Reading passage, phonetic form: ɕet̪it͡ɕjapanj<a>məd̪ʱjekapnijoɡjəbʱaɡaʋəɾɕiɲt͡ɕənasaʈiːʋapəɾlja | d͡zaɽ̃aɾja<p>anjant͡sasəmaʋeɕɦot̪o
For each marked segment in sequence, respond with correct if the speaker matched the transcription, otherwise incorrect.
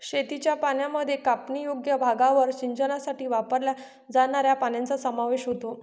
correct, correct

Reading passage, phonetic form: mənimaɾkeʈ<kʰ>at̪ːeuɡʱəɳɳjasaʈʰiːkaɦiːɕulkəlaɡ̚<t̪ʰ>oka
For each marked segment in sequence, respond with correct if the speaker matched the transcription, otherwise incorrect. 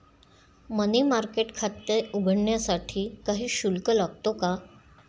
correct, incorrect: t̪

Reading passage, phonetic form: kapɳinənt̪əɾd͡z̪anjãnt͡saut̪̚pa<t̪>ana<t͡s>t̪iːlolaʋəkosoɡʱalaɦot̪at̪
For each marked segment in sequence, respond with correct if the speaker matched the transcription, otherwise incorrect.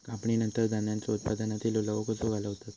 incorrect: d̪, incorrect: none

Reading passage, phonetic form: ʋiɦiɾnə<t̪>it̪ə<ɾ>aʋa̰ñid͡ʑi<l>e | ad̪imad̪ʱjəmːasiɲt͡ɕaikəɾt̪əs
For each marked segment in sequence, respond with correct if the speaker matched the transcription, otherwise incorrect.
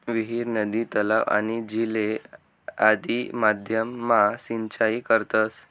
incorrect: d̪, incorrect: l, correct

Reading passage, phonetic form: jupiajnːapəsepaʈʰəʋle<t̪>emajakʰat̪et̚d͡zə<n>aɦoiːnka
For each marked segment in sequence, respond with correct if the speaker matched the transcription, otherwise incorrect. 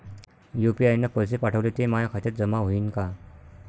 correct, incorrect: m

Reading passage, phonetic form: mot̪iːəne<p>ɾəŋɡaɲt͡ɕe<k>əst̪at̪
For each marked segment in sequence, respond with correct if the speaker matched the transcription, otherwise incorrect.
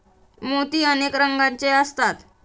incorrect: k, incorrect: none

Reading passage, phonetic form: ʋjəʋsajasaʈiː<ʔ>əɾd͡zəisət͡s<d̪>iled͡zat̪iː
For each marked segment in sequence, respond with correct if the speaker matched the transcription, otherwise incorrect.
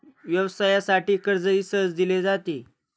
incorrect: k, correct

